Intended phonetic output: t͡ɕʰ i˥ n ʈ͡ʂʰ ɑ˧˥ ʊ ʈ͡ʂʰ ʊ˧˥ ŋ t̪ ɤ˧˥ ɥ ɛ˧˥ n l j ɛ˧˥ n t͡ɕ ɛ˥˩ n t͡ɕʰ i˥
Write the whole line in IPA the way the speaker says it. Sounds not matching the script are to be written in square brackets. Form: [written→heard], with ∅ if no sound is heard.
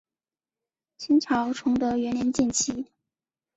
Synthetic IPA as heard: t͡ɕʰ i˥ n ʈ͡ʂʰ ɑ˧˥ ʊ ʈ͡ʂʰ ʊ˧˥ ŋ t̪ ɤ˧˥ ɥ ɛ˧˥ n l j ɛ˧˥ n t͡ɕ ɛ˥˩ n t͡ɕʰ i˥

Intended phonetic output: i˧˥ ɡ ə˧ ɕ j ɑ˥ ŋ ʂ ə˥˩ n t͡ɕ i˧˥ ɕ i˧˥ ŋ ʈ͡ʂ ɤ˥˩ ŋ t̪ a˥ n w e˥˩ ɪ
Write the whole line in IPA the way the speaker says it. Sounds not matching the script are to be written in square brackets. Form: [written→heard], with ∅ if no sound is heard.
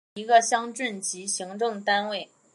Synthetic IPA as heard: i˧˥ ɡ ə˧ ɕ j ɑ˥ ŋ [ʂ→ʈ͡ʂ] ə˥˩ n t͡ɕ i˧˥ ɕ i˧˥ ŋ ʈ͡ʂ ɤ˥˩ ŋ t̪ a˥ n w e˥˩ ɪ

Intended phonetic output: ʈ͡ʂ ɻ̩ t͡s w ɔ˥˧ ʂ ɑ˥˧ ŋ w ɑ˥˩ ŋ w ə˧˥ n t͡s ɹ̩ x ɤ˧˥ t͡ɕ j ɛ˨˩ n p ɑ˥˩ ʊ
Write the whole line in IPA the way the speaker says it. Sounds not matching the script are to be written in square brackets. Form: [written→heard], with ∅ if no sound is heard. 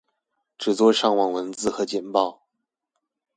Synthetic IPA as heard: ʈ͡ʂ ɻ̩ t͡s w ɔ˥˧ ʂ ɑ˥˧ ŋ w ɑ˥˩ ŋ w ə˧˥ n t͡s ɹ̩ x ɤ˧˥ t͡ɕ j ɛ˨˩ n p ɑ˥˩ ʊ

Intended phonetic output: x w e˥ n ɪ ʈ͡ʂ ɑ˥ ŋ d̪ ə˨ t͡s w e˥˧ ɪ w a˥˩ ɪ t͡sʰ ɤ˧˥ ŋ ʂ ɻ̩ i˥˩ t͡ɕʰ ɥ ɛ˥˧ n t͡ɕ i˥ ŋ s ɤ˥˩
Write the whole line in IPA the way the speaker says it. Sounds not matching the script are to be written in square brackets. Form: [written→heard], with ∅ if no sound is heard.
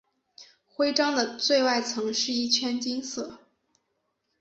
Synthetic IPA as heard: x w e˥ [n→∅] ɪ ʈ͡ʂ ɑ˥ ŋ d̪ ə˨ t͡s w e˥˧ ɪ w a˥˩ ɪ t͡sʰ ɤ˧˥ ŋ ʂ ɻ̩ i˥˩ t͡ɕʰ ɥ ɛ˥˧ n t͡ɕ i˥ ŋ s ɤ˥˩

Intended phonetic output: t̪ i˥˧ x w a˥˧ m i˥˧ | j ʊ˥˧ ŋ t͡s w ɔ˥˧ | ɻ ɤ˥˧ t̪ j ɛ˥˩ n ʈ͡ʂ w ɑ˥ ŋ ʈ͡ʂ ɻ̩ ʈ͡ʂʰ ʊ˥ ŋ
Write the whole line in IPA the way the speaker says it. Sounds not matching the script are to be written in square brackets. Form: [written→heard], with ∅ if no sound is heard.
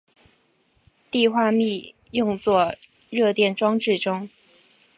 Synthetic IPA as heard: t̪ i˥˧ x w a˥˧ m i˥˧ | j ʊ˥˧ ŋ t͡s w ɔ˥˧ | ɻ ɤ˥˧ t̪ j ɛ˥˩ n ʈ͡ʂ w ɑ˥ ŋ ʈ͡ʂ ɻ̩ [ʈ͡ʂʰ→ʈ͡ʂ] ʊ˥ ŋ

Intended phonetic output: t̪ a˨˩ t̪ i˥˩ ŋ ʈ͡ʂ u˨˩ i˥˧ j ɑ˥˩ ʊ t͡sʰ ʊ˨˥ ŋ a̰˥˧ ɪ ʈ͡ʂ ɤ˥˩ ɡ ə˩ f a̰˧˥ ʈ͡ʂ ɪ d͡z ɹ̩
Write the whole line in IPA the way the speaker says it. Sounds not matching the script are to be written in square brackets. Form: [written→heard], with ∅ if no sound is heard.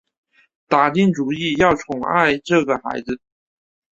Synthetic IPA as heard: t̪ a˨˩ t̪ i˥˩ ŋ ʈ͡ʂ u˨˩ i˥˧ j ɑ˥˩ ʊ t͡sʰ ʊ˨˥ ŋ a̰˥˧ ɪ ʈ͡ʂ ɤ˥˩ ɡ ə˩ [f→x] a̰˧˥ [ʈ͡ʂ→∅] ɪ d͡z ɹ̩

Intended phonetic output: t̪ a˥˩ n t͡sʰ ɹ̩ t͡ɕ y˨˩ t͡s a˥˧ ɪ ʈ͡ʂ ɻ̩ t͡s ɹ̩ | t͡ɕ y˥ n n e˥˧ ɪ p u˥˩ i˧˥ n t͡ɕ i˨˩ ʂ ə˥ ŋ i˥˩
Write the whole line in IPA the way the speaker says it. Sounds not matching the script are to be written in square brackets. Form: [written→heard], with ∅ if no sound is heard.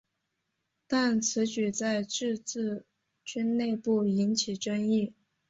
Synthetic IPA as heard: t̪ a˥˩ n t͡sʰ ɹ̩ t͡ɕ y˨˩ t͡s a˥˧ ɪ ʈ͡ʂ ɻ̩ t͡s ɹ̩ | t͡ɕ y˥ n n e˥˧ ɪ p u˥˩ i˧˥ n [t͡ɕ→t͡ɕʰ] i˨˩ [ʂ→ʈ͡ʂ] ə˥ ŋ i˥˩

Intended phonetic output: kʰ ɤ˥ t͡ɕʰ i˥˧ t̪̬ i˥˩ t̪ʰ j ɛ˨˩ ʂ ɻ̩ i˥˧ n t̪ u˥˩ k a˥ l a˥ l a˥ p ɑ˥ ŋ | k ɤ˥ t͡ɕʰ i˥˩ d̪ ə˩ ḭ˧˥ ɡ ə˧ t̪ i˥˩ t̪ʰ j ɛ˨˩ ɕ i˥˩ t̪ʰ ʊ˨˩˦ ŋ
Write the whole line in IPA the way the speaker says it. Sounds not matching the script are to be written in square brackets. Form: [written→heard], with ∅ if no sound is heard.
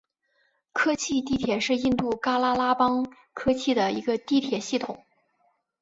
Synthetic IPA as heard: kʰ ɤ˥ t͡ɕʰ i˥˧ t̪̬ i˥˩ t̪ʰ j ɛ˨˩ ʂ ɻ̩ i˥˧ n t̪ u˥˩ k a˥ l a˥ l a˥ p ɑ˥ ŋ | [k→kʰ] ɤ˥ t͡ɕʰ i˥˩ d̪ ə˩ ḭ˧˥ ɡ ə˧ t̪ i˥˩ t̪ʰ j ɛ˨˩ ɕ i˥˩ t̪ʰ ʊ˨˩˦ ŋ

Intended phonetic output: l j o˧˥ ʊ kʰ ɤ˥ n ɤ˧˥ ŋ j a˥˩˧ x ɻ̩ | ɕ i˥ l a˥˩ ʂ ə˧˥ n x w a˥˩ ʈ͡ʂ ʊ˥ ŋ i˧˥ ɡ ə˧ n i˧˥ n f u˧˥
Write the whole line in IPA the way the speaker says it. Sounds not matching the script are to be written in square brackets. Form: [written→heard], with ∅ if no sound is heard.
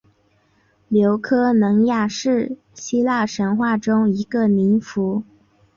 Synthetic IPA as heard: l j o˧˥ ʊ kʰ ɤ˥ n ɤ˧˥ ŋ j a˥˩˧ [x→ʂ] ɻ̩ | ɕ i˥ l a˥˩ ʂ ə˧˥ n x w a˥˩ ʈ͡ʂ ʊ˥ ŋ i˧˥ ɡ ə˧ n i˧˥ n f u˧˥

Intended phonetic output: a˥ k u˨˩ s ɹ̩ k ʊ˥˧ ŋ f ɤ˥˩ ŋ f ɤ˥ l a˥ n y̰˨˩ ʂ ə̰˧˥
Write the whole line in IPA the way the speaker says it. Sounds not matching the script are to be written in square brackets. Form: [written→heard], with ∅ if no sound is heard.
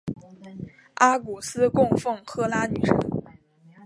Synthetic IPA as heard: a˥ k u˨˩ s ɹ̩ k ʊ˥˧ ŋ f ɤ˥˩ ŋ [f→x] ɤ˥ l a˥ n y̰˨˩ ʂ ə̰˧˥

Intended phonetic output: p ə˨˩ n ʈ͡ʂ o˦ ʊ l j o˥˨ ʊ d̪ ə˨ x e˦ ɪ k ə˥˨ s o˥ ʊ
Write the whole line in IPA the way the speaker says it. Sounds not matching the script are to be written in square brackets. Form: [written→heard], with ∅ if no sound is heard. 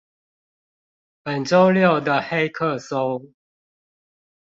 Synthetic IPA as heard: p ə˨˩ n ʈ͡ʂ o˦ ʊ l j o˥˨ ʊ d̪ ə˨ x e˦ ɪ [k→kʰ] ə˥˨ s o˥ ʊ

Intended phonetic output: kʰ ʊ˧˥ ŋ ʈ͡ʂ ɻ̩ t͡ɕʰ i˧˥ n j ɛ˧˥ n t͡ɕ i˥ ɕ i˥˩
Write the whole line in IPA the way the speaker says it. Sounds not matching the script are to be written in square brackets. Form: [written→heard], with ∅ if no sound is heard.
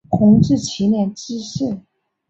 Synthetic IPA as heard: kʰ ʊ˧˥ ŋ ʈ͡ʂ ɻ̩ t͡ɕʰ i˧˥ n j [ɛ˧˥→ɛ˥˩] n t͡ɕ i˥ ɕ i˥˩

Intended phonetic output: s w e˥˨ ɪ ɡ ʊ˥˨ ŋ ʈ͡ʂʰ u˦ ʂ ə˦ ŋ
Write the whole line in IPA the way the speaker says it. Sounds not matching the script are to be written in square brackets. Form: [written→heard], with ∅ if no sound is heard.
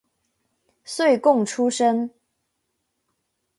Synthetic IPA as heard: s w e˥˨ ɪ [ɡ→k] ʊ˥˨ ŋ ʈ͡ʂʰ u˦ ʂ ə˦ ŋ

